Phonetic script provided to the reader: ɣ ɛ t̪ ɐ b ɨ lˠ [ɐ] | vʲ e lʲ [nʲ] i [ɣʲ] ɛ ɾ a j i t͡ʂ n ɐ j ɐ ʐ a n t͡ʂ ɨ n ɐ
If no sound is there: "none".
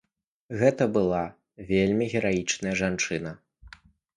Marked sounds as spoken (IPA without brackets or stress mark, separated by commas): a, mʲ, ɣʲ